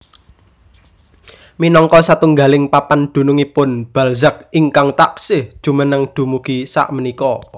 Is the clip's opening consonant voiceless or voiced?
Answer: voiced